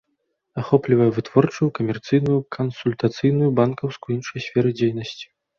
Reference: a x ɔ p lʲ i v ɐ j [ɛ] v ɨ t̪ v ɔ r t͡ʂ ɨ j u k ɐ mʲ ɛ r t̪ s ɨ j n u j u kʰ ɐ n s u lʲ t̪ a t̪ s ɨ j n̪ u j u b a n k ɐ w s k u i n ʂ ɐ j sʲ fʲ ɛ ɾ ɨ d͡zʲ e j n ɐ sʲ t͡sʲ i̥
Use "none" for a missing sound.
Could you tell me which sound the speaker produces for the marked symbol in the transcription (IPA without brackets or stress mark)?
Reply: ɛ